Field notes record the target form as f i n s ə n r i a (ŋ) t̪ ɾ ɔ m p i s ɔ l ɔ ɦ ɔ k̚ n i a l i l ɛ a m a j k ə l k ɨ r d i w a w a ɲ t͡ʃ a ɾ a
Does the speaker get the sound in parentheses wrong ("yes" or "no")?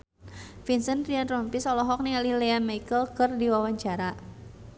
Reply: yes